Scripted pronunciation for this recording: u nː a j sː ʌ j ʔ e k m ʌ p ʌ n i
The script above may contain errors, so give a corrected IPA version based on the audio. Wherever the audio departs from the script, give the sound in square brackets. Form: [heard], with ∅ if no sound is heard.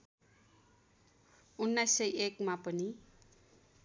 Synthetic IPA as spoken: u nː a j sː ʌ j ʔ e k m [a] p ʌ n i